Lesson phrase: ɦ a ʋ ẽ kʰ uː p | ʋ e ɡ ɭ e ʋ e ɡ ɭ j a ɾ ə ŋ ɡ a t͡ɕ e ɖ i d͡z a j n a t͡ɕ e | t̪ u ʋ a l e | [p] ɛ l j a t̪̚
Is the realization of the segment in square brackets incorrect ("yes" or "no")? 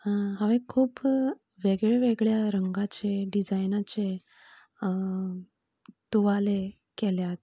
yes